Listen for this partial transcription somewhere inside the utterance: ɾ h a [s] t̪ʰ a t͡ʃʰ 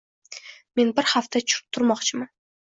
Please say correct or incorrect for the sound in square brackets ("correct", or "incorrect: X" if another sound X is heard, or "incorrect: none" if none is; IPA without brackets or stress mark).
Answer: incorrect: f